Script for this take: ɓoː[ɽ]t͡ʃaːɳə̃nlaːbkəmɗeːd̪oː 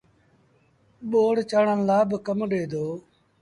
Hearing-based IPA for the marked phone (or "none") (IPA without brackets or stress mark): ɽ